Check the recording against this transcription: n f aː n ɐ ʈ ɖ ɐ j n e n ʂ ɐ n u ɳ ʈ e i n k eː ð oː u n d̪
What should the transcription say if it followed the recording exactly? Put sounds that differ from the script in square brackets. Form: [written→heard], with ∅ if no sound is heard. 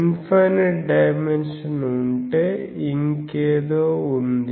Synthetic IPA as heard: n f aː n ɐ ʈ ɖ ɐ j [n→m] e n ʂ ɐ n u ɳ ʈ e i [n→ŋ] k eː ð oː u n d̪

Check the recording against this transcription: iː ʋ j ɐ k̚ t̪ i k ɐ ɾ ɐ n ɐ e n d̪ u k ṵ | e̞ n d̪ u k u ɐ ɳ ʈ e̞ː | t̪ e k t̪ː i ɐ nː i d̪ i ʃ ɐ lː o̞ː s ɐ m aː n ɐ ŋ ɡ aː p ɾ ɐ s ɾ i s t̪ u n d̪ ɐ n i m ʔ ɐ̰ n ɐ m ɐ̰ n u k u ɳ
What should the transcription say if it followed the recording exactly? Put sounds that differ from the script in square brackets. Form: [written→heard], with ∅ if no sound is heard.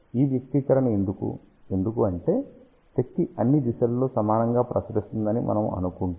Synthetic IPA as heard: iː ʋ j ɐ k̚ t̪ i k ɐ ɾ ɐ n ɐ e n d̪ u k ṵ | e̞ n d̪ u k u ɐ ɳ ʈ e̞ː | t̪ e k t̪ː i ɐ nː i d̪ i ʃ ɐ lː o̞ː s ɐ m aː n ɐ ŋ ɡ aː p ɾ ɐ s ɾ i s t̪ u n d̪ ɐ n i m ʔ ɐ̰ n ɐ m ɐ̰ n u k u ɳ

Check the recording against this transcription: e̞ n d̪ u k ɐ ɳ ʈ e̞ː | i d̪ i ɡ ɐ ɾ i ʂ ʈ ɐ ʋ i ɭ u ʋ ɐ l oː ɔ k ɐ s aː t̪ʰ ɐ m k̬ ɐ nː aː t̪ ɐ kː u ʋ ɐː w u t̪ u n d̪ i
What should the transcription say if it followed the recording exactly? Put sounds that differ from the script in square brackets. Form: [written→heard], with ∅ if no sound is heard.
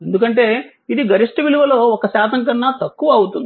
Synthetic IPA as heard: e̞ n d̪ u k ɐ ɳ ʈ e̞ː | i d̪ i ɡ ɐ ɾ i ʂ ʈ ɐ ʋ i [ɭ→l] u ʋ ɐ l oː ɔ k ɐ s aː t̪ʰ ɐ [m→ŋ] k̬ ɐ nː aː t̪ ɐ kː u ʋ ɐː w u t̪ u n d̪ i

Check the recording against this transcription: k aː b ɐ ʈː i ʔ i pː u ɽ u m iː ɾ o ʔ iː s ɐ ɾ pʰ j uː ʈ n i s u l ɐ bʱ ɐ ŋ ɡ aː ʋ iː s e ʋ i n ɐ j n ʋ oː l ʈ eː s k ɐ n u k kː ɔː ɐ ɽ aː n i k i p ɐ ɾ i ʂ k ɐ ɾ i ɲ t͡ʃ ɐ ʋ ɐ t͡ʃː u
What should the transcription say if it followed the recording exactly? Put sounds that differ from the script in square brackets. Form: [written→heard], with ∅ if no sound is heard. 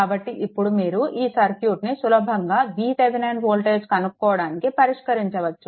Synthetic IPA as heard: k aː b ɐ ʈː i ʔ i pː u ɽ u m iː ɾ [o→u] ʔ iː s ɐ ɾ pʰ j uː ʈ n i s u l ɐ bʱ ɐ ŋ ɡ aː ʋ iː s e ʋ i n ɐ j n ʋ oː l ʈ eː s k ɐ n u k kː ɔː ɐ ɽ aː n i k i p ɐ ɾ i ʂ k ɐ ɾ i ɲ t͡ʃ ɐ ʋ ɐ t͡ʃː u

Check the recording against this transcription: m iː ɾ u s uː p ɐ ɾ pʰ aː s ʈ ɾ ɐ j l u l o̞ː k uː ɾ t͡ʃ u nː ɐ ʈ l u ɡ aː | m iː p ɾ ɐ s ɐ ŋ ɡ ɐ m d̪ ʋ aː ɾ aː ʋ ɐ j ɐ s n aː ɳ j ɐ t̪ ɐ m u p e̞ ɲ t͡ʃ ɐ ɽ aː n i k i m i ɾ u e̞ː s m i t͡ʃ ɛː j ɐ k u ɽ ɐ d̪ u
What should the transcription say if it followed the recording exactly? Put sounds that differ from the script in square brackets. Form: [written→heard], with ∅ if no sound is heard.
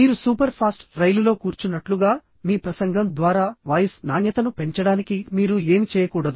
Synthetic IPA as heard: m iː ɾ u s uː p ɐ ɾ pʰ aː s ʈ ɾ ɐ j l u l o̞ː k uː ɾ t͡ʃ u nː ɐ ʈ l u ɡ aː | m iː p ɾ ɐ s ɐ ŋ ɡ ɐ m d̪ ʋ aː ɾ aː ʋ ɐ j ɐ s n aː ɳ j ɐ t̪ ɐ [m→n] u p e̞ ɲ t͡ʃ ɐ ɽ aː n i k i m [i→iː] ɾ u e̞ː [s→∅] m i t͡ʃ ɛː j ɐ k [u→uː] ɽ ɐ d̪ u

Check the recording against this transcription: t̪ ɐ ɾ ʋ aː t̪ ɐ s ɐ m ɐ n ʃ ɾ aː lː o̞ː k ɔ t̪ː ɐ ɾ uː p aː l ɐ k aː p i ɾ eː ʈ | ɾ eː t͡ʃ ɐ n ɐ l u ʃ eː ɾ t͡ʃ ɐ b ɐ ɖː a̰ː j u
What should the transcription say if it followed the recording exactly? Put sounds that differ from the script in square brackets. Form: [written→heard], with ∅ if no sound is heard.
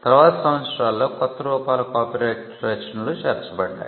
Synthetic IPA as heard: t̪ ɐ ɾ ʋ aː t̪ ɐ s ɐ m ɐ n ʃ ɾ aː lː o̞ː k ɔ t̪ː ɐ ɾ uː p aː l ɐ k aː p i ɾ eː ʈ | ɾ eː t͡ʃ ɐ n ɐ l u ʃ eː ɾ t͡ʃ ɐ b ɐ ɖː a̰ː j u

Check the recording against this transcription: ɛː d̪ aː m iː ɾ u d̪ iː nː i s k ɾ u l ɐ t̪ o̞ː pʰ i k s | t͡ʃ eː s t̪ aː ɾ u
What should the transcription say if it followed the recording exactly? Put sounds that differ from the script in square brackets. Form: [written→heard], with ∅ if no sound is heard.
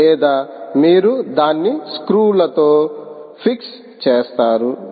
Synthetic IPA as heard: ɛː d̪ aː m iː ɾ u d̪ [iː→aː] nː i s k ɾ [u→uː] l ɐ t̪ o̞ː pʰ i k s | t͡ʃ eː s t̪ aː ɾ u

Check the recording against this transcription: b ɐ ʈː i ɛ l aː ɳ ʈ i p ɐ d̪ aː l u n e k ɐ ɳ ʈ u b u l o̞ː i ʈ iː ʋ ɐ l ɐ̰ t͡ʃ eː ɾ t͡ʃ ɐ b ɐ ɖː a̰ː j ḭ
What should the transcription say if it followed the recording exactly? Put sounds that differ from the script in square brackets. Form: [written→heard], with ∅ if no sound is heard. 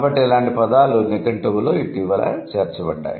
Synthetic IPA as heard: b ɐ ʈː i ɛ l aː ɳ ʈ i p ɐ d̪ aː l u n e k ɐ ɳ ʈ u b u l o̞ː i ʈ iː ʋ ɐ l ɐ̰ t͡ʃ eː ɾ t͡ʃ ɐ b ɐ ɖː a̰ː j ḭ

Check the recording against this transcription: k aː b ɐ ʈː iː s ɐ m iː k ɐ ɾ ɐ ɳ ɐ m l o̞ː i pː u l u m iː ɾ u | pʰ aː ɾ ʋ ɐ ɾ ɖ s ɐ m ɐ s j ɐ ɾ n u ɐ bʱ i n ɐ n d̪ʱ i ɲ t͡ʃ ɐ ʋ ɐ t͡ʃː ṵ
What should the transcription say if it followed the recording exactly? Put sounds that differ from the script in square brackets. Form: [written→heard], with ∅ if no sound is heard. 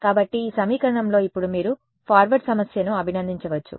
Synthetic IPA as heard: k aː b ɐ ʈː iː s ɐ m iː k ɐ ɾ ɐ ɳ ɐ m l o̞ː i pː u [l→ɽ] u m iː ɾ u | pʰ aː ɾ ʋ ɐ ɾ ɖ s ɐ m ɐ s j ɐ [ɾ→∅] n u ɐ bʱ i n ɐ n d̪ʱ i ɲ t͡ʃ ɐ ʋ ɐ t͡ʃː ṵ

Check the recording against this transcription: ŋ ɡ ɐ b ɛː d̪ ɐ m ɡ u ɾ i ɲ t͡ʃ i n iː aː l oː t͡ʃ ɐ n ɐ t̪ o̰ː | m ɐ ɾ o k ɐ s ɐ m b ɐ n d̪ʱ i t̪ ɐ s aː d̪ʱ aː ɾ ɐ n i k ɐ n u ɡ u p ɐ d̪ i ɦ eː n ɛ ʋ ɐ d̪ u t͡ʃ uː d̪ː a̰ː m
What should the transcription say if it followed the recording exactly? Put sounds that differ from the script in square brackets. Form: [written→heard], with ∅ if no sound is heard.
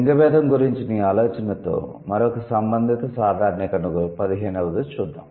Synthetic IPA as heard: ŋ ɡ ɐ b ɛː d̪ ɐ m ɡ u ɾ i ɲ t͡ʃ i n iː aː l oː t͡ʃ ɐ n ɐ t̪ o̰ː | m ɐ ɾ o k ɐ s ɐ m b ɐ n d̪ʱ i t̪ ɐ s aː d̪ʱ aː ɾ ɐ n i k ɐ n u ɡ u p ɐ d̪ i ɦ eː n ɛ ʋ ɐ d̪ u t͡ʃ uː d̪ː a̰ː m

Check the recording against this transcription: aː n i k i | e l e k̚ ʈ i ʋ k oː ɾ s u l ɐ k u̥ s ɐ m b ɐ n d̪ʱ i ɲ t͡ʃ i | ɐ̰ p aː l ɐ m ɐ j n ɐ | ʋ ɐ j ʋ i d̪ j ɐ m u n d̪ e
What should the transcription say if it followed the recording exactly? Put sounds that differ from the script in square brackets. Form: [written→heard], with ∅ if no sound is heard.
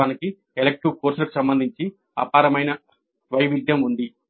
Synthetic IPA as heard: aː n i k i | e l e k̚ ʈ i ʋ k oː ɾ s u l ɐ k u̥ s ɐ m b ɐ n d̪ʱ i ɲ t͡ʃ i | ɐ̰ p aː [l→ɾ] ɐ m ɐ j n ɐ | ʋ ɐ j ʋ i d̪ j ɐ m u n d̪ [e→i]

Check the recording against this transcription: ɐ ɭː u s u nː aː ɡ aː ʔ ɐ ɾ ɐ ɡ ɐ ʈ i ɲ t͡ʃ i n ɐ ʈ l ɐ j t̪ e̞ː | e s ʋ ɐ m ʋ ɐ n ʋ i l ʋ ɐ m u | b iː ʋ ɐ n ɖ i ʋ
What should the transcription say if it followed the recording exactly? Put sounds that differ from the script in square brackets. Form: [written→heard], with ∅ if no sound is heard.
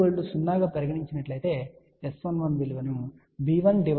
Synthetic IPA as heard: ɐ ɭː u s u nː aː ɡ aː [ʔ→p] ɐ ɾ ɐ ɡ ɐ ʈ i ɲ t͡ʃ i n ɐ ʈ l ɐ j t̪ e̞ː | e s ʋ ɐ [m→n] ʋ ɐ n ʋ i l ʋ ɐ [m→n] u | b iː ʋ ɐ n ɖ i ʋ

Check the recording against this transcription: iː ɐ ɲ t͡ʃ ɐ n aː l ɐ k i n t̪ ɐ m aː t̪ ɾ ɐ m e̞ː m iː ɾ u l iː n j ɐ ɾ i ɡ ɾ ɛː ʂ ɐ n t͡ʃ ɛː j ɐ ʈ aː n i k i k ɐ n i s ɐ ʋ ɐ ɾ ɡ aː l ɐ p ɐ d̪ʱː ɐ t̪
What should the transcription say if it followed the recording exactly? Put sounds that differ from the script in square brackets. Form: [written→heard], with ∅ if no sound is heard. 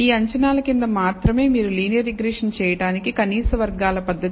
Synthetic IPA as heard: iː ɐ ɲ t͡ʃ ɐ n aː l ɐ k i n [t̪→d̪] ɐ m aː t̪ ɾ ɐ m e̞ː m iː ɾ u l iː n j ɐ ɾ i ɡ ɾ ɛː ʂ ɐ n t͡ʃ ɛː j ɐ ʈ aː n i k i k ɐ n [i→iː] s ɐ ʋ ɐ ɾ ɡ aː l ɐ p ɐ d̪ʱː ɐ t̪

